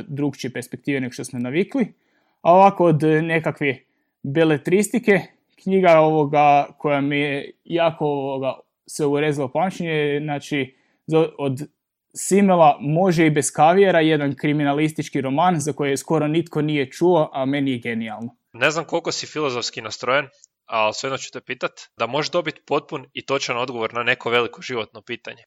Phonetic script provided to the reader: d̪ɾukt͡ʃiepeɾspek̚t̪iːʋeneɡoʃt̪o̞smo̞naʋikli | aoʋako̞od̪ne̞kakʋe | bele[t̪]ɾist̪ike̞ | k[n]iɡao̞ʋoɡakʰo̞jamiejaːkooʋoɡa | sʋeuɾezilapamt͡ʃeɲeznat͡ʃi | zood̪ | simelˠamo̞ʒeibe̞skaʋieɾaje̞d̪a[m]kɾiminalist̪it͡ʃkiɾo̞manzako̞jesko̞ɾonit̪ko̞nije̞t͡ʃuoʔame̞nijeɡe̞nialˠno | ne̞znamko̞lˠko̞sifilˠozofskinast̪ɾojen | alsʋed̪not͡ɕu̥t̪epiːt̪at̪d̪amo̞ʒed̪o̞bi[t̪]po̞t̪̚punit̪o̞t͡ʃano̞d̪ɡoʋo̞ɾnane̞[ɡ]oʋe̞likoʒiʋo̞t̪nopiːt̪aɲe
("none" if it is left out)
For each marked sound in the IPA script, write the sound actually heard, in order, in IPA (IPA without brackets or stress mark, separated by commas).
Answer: t̪, ɲ, n, t̪, k